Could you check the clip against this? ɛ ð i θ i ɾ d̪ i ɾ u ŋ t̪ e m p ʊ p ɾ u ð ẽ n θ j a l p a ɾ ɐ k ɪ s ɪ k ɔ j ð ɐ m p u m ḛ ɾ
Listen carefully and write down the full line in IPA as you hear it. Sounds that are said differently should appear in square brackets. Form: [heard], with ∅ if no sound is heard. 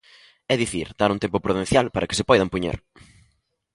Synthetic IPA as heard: ɛ ð i θ i ɾ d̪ [a] ɾ u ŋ t̪ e m p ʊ p ɾ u ð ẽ n θ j a l p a ɾ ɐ k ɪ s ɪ [p] ɔ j ð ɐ m p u [ɲ] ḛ ɾ